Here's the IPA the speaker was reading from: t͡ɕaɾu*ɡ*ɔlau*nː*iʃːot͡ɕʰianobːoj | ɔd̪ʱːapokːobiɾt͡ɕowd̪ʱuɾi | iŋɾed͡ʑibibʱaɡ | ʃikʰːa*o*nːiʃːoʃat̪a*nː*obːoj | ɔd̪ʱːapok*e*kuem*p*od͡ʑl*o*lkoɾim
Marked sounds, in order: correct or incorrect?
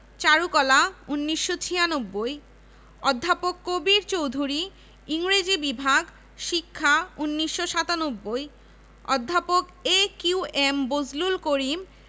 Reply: incorrect, correct, incorrect, incorrect, correct, incorrect, incorrect

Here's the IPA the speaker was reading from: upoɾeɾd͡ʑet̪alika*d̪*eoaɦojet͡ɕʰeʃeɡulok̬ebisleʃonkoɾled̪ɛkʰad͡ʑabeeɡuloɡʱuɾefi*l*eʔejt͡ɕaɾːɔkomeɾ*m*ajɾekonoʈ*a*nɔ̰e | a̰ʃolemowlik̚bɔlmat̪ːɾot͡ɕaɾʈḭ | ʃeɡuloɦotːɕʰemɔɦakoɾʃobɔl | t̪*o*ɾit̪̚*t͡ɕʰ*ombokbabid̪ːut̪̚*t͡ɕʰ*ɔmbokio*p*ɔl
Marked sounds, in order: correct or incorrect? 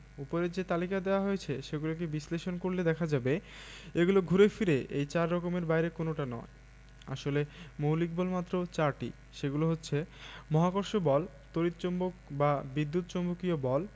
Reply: correct, incorrect, incorrect, correct, correct, incorrect, incorrect, incorrect

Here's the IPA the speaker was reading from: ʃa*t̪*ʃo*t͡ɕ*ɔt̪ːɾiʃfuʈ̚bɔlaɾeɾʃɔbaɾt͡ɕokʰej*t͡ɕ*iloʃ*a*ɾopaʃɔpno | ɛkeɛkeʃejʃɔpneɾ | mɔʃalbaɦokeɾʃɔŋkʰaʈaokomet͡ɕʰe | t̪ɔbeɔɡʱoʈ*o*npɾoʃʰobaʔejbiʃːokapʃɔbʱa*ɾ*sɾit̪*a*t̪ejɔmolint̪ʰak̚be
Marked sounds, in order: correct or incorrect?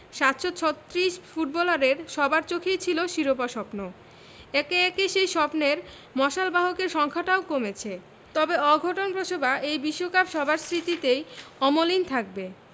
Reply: correct, incorrect, incorrect, incorrect, correct, correct, incorrect

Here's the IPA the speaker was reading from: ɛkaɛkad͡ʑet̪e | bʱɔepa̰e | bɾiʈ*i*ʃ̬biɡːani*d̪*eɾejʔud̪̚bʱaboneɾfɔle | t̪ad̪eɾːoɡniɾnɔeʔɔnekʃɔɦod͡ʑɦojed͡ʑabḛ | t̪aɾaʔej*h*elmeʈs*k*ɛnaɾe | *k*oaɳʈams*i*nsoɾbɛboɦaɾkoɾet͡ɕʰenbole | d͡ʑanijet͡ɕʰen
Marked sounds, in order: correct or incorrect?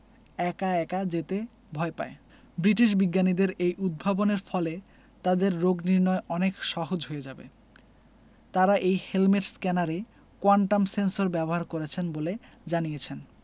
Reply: correct, correct, correct, correct, correct, incorrect

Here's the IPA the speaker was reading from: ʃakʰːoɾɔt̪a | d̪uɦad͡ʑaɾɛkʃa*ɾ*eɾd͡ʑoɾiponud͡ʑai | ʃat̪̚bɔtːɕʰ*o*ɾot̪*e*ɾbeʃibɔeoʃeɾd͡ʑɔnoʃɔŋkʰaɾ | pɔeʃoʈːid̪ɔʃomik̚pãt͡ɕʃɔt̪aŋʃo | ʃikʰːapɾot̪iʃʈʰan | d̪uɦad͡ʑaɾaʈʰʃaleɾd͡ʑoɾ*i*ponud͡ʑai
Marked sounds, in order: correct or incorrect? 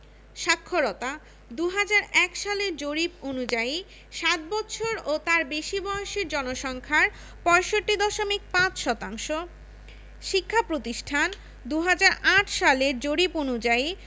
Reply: incorrect, correct, incorrect, correct

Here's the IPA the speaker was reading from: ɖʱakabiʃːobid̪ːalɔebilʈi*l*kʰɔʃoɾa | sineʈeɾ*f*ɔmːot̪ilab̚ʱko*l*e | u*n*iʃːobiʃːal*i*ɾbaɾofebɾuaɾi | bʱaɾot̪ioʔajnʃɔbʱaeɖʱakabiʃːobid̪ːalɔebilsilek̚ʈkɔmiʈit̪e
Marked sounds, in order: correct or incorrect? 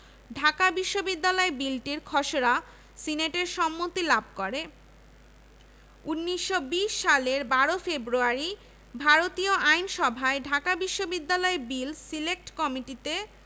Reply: incorrect, incorrect, incorrect, incorrect, incorrect

